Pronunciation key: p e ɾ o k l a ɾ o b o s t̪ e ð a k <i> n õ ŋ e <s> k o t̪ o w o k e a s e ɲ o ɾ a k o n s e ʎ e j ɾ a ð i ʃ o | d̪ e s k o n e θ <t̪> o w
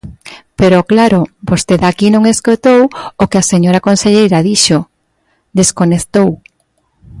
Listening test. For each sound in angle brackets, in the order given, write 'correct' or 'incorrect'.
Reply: correct, correct, correct

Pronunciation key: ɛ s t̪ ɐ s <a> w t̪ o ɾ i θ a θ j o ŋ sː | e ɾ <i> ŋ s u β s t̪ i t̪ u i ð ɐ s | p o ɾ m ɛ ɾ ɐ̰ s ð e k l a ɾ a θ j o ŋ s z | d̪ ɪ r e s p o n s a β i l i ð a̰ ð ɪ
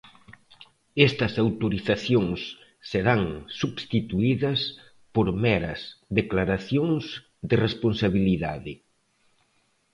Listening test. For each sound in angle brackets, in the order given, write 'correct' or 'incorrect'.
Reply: correct, incorrect: a

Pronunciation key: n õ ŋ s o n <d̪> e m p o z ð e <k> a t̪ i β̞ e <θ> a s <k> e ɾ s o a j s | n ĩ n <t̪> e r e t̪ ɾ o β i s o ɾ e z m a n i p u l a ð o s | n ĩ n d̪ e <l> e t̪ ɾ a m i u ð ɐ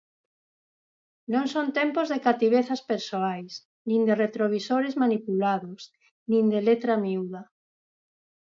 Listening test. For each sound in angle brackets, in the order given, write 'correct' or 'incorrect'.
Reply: incorrect: t̪, correct, correct, incorrect: p, incorrect: d̪, correct

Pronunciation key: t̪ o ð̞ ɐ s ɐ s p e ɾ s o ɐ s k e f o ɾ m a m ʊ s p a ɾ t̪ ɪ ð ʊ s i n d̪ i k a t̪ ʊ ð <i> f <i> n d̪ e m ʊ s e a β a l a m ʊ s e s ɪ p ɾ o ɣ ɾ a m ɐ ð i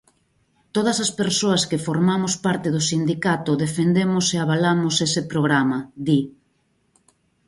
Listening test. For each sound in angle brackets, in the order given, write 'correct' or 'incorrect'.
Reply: incorrect: e, incorrect: e

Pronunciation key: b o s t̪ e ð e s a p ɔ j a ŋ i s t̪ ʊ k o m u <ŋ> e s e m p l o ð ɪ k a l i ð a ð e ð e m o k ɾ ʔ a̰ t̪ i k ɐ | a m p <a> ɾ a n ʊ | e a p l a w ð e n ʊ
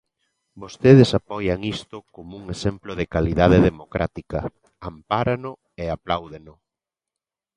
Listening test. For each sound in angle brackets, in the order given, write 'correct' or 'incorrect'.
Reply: correct, correct

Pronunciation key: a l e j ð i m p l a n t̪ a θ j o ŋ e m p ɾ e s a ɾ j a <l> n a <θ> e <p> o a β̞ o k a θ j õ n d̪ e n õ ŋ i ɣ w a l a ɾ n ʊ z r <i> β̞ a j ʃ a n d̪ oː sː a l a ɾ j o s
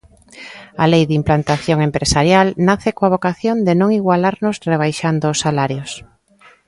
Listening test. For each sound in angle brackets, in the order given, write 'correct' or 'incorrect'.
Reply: correct, correct, incorrect: k, incorrect: e

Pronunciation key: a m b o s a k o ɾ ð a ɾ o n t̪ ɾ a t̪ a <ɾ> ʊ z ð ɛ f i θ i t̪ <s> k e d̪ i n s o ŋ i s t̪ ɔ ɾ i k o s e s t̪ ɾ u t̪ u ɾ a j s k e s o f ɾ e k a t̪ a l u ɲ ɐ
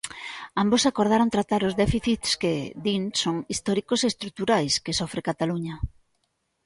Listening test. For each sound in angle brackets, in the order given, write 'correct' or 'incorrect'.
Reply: correct, correct

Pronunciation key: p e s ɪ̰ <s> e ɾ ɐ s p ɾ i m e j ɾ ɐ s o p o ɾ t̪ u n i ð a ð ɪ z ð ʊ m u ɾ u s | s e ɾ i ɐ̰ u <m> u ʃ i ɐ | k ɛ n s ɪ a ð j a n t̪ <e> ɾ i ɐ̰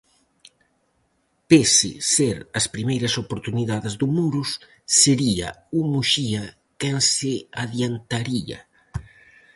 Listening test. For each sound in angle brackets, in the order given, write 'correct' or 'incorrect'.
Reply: correct, correct, incorrect: a

